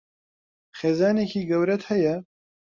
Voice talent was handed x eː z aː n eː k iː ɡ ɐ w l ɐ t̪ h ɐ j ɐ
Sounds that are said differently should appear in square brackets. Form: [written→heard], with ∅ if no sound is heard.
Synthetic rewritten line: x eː z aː n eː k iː ɡ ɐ w [l→ɾ] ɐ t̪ h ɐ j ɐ